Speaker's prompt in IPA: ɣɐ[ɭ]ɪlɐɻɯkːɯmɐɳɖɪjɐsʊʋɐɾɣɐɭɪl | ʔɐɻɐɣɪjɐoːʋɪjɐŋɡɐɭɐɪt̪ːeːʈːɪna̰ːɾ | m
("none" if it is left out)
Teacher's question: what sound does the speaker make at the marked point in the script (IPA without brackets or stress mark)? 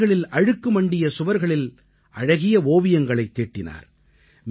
ɭ